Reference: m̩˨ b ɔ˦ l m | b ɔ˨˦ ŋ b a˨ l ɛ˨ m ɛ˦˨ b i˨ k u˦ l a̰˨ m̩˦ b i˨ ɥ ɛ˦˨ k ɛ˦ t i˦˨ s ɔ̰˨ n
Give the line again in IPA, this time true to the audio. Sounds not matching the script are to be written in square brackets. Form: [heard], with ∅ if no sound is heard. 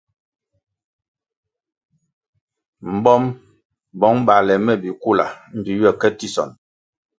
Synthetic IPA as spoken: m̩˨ b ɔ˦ [∅] m | b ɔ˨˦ ŋ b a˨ l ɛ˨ m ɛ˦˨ b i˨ k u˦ l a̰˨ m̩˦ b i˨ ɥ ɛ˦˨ k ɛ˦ t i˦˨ s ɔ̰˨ n